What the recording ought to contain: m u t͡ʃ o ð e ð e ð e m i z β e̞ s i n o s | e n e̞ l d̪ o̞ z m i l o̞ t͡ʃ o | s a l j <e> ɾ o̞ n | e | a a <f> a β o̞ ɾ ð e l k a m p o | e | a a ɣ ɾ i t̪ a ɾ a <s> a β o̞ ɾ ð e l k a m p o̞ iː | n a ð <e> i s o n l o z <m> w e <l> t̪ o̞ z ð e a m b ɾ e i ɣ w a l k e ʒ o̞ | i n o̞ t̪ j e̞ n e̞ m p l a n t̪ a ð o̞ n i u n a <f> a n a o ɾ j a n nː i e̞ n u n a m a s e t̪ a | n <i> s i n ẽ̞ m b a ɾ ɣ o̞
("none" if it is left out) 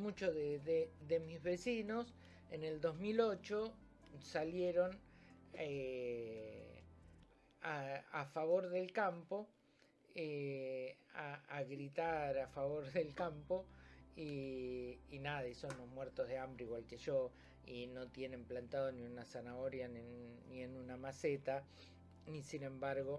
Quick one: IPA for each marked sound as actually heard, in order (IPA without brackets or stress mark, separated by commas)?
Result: e, f, f, a, m, ɾ, s, i